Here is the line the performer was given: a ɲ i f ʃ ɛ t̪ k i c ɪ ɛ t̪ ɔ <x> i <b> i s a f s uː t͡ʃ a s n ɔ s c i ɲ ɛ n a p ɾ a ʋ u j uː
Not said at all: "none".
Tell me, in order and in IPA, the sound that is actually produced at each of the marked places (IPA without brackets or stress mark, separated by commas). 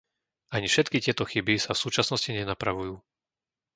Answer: x, b